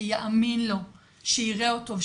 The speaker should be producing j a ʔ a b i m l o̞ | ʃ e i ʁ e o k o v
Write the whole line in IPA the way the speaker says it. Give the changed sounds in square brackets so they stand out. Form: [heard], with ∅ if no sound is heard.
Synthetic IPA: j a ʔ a [m] i [n] l o̞ | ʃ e i ʁ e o [t] o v

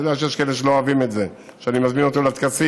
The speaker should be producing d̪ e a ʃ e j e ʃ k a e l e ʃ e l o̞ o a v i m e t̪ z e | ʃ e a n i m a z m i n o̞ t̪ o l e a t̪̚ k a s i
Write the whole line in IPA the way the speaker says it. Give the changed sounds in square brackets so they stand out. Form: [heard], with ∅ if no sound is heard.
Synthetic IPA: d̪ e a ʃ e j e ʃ k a e l e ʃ e l o̞ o a v i m e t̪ z e | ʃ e a n i m a z m i n o̞ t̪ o l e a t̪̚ k a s i

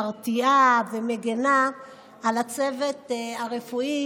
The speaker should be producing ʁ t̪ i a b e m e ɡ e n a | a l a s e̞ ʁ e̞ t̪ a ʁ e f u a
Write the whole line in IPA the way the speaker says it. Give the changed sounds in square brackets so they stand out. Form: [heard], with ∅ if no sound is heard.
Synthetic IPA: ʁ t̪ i a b e m e ɡ e n a | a l a [t͡s] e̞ [v] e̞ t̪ a ʁ e f u [i]

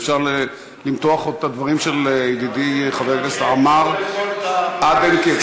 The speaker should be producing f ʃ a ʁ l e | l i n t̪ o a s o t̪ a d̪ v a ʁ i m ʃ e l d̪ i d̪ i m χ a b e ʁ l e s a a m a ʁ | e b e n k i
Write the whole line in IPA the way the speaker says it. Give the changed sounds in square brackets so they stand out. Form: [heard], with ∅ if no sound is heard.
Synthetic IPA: f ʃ a ʁ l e | l i [m] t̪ o a [χ] o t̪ a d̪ v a ʁ i m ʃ e l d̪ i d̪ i [∅] χ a [v] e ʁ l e s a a m a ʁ | [a] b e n k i

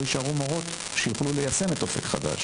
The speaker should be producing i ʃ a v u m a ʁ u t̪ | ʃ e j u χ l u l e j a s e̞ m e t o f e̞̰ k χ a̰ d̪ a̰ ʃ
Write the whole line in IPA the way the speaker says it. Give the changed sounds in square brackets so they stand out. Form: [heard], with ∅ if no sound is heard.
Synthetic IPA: i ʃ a [ʁ] u m a ʁ [o] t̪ | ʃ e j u χ l u l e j a s e̞ m e t o f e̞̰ k χ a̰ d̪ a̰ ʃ

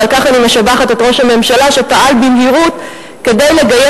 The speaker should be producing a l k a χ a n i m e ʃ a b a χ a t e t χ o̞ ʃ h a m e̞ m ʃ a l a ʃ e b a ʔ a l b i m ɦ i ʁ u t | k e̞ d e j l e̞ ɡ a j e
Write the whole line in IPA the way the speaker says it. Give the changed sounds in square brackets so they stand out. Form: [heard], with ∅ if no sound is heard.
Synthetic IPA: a l k a χ a n i m e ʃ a b a χ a t e t [ʁ] o̞ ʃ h a m e̞ m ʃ a l a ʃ e [p] a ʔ a l b i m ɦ i ʁ u t | k e̞ d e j l e̞ ɡ a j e

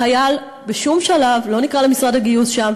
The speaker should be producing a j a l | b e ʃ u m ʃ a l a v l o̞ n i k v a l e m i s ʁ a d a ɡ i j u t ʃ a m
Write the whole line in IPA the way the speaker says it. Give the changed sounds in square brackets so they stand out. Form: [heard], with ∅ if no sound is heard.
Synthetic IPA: a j a l | b e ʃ u m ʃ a l a v l o̞ n i k [ʁ] a l e m i s ʁ a d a ɡ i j u [s] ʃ a m

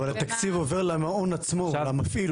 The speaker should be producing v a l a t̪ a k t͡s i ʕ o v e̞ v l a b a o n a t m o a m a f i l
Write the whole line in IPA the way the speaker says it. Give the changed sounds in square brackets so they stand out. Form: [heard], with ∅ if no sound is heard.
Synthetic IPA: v a l a t̪ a k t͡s i [v] o v e̞ [ʁ] l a [m] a o n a [t͡s] m o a m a f i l

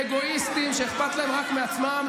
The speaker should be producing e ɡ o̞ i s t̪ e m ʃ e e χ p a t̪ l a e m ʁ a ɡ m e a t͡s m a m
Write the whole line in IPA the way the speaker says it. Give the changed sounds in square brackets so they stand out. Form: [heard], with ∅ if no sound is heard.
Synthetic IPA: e ɡ o̞ i s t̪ [i] m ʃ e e χ p a t̪ l a e m ʁ a [k] m e a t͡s m a m

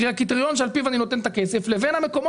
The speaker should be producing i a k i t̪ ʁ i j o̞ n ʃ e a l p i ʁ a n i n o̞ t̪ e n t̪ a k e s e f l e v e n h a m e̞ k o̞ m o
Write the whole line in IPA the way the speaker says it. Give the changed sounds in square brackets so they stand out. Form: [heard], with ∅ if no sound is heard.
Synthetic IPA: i a k i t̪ ʁ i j o̞ n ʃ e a l p i [v] a n i n o̞ t̪ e n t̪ a k e s e f l e v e n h a m e̞ k o̞ m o

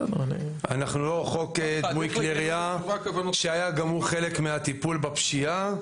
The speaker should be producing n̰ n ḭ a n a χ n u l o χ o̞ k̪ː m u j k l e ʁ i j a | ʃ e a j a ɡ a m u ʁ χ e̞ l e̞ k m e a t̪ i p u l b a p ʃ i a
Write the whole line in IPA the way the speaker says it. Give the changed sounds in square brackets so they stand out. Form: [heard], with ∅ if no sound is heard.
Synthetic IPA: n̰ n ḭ a n a χ n u l o χ o̞ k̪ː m u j k l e ʁ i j a | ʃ e a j a ɡ a m u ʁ χ e̞ l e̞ k m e a t̪ i p u l b a p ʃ i a

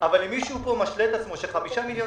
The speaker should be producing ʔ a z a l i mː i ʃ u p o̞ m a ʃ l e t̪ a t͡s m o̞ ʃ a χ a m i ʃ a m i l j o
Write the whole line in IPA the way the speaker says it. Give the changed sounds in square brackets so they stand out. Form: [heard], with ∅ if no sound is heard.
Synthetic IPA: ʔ a [v] a l i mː i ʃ u p o̞ m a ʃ l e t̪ a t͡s m o̞ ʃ [e] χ a m i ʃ a m i l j o

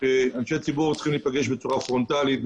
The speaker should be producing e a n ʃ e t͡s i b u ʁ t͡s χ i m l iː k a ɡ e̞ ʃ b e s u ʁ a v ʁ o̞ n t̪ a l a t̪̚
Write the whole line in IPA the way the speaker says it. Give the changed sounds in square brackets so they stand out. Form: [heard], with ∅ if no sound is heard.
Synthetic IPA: e a n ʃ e t͡s i b u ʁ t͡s χ i m l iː [p] a ɡ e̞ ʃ b e [t͡s] u ʁ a [f] ʁ o̞ n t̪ a l [i] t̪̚

